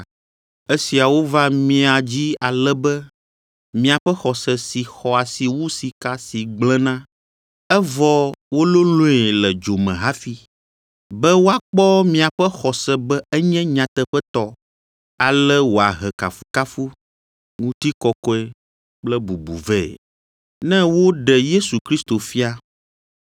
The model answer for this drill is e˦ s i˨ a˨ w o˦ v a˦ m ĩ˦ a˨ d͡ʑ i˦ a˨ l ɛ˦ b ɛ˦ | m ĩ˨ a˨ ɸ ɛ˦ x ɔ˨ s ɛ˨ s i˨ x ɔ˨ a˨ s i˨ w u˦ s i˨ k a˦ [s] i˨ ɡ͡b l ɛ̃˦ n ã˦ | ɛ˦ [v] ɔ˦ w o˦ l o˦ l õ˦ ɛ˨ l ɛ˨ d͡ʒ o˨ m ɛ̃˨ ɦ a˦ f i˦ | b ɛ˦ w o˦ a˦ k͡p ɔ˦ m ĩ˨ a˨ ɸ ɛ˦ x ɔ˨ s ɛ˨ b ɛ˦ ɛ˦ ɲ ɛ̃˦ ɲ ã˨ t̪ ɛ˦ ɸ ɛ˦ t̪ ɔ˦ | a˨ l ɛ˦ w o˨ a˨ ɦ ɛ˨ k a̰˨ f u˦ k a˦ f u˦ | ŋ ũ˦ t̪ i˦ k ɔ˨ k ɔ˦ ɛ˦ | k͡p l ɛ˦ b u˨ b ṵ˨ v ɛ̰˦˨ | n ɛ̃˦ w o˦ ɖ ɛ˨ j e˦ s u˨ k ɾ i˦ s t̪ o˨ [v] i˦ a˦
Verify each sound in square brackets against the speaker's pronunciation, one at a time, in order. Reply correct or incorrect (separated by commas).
correct, correct, incorrect